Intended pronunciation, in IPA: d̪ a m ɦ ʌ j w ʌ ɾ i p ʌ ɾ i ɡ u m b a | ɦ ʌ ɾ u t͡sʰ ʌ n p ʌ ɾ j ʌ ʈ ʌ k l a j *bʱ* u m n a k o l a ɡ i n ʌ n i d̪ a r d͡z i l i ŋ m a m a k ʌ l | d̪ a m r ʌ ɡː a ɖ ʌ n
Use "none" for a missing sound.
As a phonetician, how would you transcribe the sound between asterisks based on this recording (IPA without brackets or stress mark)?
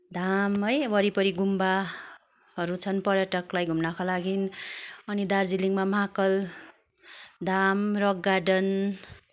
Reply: ɡʱ